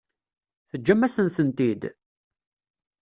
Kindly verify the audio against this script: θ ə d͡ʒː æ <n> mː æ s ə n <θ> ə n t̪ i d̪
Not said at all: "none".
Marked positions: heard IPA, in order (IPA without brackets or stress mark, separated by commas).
none, θ